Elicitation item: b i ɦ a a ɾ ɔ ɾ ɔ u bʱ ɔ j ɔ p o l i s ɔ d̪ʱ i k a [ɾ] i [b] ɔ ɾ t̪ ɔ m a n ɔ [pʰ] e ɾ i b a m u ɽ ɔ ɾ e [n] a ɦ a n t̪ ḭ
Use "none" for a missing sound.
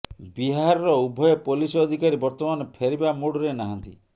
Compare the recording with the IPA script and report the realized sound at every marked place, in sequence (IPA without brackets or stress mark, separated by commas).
ɾ, b, pʰ, n